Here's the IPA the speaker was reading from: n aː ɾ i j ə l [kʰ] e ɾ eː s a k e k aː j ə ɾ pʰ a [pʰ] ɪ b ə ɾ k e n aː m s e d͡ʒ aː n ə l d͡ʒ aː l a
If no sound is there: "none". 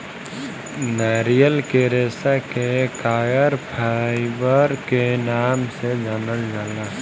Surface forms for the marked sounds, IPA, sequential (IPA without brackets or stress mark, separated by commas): k, none